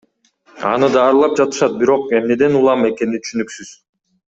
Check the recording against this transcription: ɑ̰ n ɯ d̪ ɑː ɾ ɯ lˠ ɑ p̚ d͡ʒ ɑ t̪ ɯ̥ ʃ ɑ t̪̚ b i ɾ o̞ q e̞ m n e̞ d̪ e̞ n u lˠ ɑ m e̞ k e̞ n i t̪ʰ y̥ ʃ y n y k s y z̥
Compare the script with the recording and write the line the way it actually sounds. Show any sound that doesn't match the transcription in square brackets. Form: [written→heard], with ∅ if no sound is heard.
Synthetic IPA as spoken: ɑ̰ n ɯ d̪ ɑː ɾ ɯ lˠ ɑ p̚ d͡ʒ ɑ t̪ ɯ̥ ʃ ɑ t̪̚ b i ɾ o̞ q e̞ m n e̞ d̪ e̞ n u lˠ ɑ m e̞ k e̞ n i t̪ʰ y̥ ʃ y n y k s y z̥